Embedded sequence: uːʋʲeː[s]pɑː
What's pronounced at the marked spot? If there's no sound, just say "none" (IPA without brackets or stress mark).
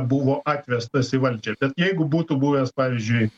s